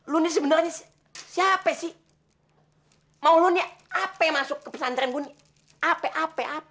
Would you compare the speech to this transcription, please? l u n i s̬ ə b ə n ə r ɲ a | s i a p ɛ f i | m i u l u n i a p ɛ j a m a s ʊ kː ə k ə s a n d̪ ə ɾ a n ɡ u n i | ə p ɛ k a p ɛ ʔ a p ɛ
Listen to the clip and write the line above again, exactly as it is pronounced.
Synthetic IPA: l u n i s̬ ə b ə n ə r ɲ a | s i a p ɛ s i | m a u l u n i a p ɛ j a m a s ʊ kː ə p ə s a n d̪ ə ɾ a n ɡ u n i | a p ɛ ʔ a p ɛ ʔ a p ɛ